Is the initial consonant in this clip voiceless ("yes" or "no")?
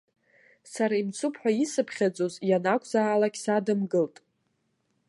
yes